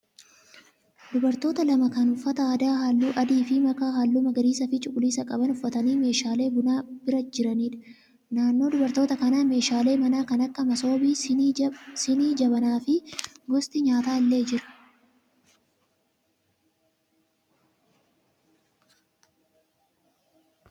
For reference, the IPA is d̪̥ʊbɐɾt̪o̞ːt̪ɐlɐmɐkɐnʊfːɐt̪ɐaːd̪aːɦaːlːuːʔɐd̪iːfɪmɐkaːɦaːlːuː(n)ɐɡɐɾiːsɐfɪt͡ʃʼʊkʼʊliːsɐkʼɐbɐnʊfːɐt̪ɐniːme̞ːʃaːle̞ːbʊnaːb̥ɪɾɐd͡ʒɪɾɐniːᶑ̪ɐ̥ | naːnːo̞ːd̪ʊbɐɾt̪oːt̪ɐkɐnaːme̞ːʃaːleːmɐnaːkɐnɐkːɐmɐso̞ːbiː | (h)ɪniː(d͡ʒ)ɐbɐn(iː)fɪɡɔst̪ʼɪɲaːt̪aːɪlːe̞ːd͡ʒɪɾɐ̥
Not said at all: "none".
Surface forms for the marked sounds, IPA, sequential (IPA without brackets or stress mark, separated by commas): m, s, d͡ʒ, aː